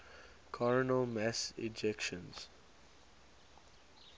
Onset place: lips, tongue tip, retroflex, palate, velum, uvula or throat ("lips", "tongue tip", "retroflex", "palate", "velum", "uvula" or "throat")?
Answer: velum